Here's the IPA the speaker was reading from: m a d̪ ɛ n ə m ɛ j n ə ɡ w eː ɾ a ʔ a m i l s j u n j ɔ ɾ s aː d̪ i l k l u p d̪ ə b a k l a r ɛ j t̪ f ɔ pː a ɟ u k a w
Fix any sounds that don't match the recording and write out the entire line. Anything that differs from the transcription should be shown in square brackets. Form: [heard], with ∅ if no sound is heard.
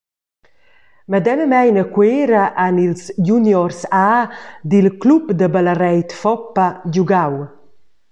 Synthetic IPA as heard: m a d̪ ɛ n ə m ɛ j n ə [k] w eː ɾ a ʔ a [n] i l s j u n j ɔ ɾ s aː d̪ i l k l u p d̪ ə b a [∅] l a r ɛ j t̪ f ɔ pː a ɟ u [ɡ] a w